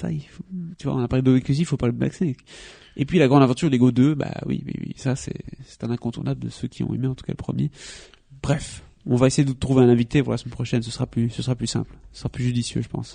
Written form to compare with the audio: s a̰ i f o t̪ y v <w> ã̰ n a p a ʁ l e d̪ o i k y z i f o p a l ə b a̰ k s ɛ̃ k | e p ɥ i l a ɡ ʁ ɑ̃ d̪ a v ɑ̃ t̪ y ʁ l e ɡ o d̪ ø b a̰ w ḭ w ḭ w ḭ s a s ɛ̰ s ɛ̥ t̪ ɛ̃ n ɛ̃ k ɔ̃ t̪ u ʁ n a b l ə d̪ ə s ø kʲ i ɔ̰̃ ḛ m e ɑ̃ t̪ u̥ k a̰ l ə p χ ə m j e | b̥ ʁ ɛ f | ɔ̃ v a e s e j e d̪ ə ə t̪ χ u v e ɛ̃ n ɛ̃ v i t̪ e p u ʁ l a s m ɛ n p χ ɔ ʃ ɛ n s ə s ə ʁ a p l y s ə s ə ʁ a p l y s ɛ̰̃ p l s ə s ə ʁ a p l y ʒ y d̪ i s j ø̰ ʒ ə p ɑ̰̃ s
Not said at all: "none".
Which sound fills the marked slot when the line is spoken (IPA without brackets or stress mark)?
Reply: w